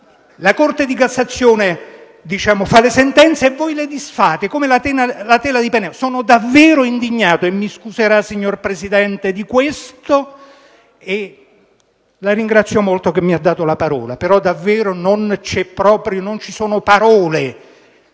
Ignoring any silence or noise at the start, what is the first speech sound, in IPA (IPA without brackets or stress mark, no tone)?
l